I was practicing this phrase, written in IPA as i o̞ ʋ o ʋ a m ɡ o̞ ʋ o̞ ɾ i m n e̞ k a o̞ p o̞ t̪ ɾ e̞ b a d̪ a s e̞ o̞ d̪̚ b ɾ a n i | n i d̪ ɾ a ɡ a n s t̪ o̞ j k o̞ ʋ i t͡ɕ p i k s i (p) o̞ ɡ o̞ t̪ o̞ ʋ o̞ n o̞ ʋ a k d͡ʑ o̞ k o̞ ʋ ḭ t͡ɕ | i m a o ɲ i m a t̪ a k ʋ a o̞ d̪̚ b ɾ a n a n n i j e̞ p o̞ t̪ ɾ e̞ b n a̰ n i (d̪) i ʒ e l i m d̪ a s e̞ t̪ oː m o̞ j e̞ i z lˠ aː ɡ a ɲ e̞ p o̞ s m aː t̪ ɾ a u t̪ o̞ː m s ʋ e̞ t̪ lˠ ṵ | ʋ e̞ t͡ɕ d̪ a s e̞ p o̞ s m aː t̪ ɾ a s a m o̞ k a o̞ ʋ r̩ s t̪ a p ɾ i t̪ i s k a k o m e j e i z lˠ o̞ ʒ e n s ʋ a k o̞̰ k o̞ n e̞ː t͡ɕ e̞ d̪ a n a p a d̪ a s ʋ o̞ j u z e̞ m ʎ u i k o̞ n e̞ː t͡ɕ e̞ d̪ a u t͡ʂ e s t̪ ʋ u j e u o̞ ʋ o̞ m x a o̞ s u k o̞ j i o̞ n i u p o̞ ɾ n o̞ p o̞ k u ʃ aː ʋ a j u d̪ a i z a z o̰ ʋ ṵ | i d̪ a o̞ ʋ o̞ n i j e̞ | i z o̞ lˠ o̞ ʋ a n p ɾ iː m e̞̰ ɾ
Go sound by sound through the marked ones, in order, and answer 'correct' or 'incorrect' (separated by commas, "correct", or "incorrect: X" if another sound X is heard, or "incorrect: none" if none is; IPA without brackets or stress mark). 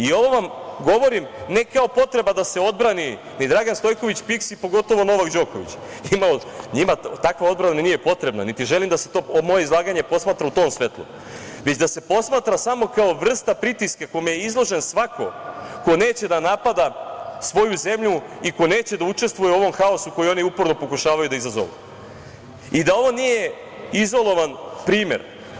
correct, incorrect: t̪